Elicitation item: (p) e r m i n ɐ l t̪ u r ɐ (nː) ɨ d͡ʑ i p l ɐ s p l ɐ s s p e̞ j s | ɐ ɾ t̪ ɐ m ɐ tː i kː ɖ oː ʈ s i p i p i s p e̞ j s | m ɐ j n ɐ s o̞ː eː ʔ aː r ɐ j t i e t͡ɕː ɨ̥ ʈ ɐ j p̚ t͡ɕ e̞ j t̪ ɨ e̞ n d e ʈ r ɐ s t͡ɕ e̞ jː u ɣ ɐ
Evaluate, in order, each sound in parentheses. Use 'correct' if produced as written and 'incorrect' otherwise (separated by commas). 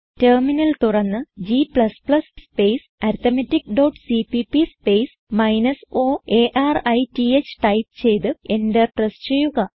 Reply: incorrect, correct